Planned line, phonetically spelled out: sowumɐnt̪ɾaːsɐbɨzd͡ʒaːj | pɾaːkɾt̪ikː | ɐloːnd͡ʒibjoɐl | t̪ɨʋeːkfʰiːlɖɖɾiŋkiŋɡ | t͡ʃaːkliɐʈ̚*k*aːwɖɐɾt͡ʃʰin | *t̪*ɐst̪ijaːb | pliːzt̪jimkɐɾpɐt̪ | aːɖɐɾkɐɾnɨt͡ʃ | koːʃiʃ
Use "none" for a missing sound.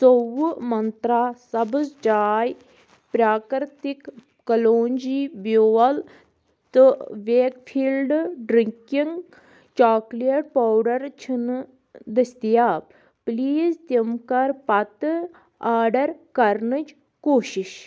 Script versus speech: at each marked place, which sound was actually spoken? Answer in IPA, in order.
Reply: p, d̪

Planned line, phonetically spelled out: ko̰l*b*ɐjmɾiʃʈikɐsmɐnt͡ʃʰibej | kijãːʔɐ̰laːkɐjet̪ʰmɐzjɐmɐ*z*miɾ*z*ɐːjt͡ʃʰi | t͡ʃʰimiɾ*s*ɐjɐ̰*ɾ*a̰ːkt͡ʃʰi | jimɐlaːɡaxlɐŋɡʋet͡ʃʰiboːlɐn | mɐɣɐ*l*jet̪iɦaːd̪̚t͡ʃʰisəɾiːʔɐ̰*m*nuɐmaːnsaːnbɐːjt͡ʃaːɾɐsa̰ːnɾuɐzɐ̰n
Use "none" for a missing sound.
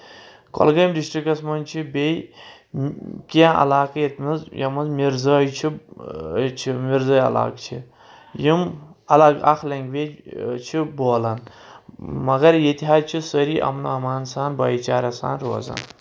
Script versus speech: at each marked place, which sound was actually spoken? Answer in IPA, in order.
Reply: ɡ, z, z, z, l, ɾ, m

